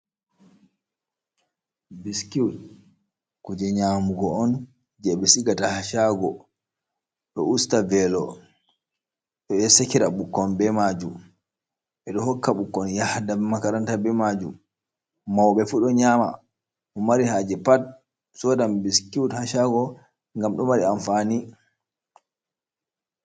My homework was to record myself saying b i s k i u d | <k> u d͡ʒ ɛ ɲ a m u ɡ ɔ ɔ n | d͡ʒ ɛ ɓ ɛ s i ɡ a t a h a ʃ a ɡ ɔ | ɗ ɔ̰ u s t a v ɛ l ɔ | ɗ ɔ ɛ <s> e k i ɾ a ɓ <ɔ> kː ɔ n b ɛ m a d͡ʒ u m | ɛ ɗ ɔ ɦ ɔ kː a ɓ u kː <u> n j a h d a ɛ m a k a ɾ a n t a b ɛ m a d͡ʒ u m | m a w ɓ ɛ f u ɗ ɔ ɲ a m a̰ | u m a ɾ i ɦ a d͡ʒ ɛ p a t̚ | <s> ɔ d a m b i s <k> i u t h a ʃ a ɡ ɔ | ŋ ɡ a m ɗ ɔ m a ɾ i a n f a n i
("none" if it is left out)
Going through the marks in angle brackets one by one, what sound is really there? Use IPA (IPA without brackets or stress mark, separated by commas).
k, s, u, ɔ, s, k